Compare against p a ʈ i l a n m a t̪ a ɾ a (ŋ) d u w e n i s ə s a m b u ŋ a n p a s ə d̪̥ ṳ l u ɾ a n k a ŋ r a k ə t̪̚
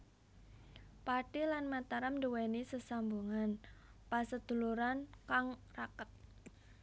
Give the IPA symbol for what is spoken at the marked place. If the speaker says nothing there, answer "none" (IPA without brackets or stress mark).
m